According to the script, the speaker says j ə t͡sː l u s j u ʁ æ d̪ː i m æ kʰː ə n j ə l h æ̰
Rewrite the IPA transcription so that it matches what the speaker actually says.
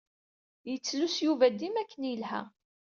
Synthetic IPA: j ə t͡sː l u s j u v æ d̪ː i m æ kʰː ə n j ə l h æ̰